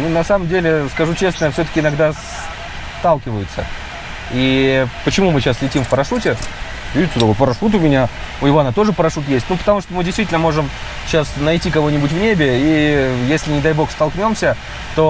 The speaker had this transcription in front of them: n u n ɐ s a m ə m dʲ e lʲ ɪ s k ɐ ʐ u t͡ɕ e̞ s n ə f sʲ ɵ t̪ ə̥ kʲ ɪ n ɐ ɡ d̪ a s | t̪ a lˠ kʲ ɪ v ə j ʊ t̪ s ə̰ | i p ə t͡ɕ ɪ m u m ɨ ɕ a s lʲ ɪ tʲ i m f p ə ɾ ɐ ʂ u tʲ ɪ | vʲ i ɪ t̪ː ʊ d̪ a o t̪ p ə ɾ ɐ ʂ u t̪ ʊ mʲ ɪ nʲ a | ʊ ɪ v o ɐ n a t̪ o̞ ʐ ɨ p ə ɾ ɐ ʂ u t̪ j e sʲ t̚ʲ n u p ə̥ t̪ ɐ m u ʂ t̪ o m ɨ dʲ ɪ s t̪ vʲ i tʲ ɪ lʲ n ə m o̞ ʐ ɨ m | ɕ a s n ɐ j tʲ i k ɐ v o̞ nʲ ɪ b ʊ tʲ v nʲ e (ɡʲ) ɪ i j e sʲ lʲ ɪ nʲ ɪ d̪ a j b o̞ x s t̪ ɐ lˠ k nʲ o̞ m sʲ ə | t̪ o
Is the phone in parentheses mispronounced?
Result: yes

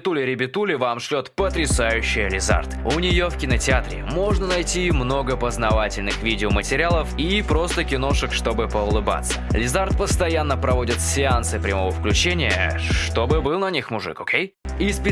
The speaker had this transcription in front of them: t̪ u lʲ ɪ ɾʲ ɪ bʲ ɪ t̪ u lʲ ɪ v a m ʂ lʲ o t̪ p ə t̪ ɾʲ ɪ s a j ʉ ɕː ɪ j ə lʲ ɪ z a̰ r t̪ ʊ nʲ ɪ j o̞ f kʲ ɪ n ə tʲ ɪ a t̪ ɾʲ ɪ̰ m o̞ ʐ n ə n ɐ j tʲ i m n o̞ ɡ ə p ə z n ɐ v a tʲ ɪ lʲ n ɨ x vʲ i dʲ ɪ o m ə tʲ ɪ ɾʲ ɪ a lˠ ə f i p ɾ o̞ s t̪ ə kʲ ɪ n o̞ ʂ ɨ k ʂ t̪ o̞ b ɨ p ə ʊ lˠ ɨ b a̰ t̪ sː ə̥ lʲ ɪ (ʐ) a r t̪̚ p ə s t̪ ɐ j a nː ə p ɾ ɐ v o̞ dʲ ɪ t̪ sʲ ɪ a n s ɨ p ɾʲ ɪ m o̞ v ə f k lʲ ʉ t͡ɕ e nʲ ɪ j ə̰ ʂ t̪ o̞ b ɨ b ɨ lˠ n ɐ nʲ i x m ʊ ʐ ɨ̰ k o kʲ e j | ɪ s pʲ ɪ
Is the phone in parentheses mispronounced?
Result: yes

